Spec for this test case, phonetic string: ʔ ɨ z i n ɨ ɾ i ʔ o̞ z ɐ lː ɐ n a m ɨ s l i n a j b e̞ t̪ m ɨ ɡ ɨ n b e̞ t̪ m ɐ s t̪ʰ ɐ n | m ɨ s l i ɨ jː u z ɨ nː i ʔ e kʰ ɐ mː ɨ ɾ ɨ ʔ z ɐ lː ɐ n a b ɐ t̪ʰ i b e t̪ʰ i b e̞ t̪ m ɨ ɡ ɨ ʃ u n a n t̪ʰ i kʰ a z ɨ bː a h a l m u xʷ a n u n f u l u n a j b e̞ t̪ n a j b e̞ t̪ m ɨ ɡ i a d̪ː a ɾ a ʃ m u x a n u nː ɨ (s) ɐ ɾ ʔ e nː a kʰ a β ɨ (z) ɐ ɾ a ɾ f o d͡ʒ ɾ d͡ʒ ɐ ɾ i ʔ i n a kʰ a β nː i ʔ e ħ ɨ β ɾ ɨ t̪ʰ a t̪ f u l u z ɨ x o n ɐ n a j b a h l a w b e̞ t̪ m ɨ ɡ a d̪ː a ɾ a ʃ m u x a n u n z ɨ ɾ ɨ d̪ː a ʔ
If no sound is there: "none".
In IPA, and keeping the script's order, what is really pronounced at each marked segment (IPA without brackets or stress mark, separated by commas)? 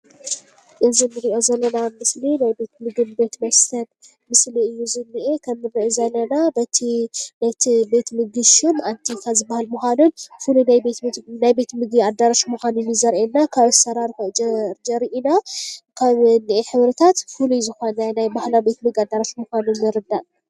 z, s